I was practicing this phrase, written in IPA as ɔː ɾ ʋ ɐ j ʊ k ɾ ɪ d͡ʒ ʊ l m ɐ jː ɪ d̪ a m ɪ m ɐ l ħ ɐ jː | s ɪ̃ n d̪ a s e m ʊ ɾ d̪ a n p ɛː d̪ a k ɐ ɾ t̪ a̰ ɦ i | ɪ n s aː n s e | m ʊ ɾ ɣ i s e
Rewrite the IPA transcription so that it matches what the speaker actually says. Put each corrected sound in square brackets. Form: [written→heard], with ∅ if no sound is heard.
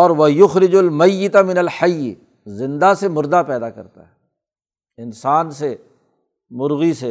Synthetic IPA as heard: ɔː ɾ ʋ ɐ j ʊ [k→x] ɾ ɪ d͡ʒ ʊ l m ɐ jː ɪ [d̪→t̪] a m ɪ [m→n] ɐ l ħ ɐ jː | [s→z] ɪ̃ n d̪ a s e m ʊ ɾ d̪ a [n→∅] p ɛː d̪ a k ɐ ɾ t̪ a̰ ɦ [i→ɛ] | ɪ n s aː n s e | m ʊ ɾ ɣ i s e